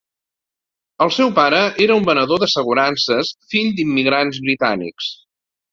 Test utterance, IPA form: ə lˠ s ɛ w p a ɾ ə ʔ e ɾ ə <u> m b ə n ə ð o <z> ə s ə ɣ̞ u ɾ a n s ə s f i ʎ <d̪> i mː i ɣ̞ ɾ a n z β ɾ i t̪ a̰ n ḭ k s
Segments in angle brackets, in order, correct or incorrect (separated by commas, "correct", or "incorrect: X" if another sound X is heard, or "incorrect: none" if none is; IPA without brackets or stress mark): correct, incorrect: ð, correct